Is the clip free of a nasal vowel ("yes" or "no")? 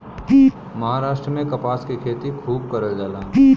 no